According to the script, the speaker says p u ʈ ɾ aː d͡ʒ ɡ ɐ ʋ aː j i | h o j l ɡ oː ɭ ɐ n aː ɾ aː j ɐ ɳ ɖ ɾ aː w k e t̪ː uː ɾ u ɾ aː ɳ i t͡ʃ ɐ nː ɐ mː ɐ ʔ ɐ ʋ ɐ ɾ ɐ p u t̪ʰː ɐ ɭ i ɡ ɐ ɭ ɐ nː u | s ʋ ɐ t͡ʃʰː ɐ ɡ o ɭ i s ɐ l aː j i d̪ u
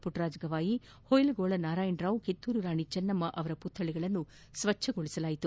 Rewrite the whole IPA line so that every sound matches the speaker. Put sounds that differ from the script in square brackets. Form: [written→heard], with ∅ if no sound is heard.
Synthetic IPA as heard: p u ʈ ɾ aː d͡ʒ ɡ ɐ ʋ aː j i | h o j l ɡ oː ɭ ɐ n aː ɾ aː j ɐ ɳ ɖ ɾ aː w k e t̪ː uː ɾ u ɾ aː ɳ i t͡ʃ ɐ nː ɐ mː ɐ ʔ ɐ ʋ ɐ ɾ ɐ p u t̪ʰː ɐ ɭ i ɡ ɐ ɭ ɐ nː u | s ʋ ɐ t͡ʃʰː ɐ ɡ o ɭ i s ɐ l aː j i [d̪→t̪] u